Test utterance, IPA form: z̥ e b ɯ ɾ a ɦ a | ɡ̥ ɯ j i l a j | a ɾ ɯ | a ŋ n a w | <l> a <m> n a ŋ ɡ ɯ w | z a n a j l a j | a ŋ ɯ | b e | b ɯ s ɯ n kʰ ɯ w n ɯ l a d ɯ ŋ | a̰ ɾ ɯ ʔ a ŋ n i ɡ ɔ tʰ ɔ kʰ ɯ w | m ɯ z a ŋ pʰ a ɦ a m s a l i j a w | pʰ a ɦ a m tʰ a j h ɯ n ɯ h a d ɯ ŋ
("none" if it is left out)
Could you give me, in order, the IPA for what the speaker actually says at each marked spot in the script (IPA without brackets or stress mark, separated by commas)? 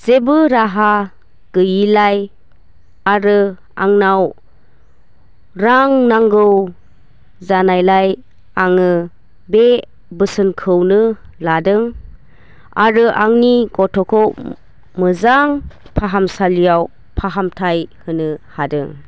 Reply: ɾ, ŋ